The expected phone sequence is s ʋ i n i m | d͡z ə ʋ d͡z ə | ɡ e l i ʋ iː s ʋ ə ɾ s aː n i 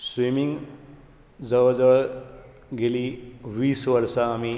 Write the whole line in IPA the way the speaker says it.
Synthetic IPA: s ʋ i m i ŋ | d͡z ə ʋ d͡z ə | ɡ e l i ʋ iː s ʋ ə ɾ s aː m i